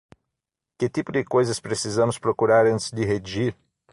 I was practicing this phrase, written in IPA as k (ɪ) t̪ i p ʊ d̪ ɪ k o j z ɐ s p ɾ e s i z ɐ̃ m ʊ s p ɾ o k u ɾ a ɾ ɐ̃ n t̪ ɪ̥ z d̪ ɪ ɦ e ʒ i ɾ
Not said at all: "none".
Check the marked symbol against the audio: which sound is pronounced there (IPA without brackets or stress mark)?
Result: ɪ